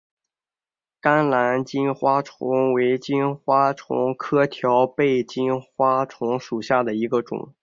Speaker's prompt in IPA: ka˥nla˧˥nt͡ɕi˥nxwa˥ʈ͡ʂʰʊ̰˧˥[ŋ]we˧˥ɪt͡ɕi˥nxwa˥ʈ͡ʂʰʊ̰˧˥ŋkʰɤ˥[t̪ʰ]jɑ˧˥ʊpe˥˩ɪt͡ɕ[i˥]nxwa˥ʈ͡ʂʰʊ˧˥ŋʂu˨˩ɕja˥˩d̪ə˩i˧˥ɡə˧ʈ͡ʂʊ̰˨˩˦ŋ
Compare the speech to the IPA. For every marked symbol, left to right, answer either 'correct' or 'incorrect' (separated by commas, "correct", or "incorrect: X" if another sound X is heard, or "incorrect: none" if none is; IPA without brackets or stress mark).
correct, correct, correct